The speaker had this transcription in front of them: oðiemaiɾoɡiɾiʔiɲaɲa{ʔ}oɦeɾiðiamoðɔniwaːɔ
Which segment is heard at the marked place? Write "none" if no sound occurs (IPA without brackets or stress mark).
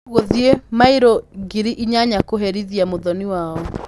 k